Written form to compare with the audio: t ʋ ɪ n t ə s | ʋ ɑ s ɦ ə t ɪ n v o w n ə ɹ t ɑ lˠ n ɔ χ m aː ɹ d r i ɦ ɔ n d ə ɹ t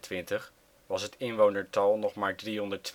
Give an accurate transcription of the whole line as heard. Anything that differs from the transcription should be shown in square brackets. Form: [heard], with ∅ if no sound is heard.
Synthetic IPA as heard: t ʋ ɪ n t ə [χ] | ʋ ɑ s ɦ ə t ɪ n [ʋ] o w n ə ɹ t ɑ lˠ n ɔ χ m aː ɹ d r i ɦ ɔ n d ə ɹ t